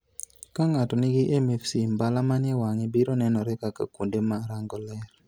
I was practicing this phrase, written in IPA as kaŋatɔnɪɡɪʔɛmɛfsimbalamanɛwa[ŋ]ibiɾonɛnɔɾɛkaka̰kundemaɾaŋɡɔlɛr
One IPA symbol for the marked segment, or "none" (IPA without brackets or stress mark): ŋ